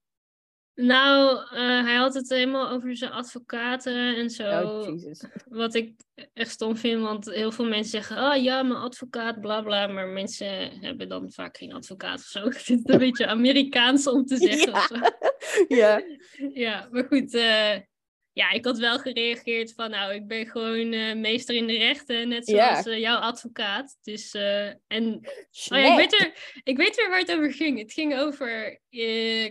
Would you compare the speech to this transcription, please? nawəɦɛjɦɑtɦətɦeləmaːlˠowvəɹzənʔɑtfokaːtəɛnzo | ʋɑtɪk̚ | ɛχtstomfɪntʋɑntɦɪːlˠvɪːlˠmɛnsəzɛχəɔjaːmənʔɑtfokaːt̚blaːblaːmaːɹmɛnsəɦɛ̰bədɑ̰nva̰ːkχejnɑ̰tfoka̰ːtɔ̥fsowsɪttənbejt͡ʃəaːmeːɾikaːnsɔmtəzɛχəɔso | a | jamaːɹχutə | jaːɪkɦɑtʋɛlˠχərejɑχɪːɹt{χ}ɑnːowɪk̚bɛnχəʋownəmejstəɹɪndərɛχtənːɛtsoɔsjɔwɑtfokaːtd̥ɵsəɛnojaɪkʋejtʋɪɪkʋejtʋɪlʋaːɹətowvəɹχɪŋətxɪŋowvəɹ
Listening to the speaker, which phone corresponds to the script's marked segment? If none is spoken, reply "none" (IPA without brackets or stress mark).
f